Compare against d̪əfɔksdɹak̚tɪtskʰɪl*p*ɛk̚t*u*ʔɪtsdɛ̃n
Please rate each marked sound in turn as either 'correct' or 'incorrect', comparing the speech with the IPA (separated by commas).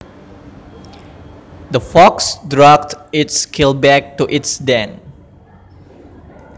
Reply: incorrect, correct